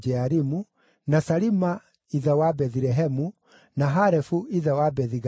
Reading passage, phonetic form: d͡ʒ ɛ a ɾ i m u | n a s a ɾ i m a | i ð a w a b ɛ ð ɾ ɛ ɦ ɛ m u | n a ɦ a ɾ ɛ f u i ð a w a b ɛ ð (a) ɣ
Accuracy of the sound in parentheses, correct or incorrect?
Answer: incorrect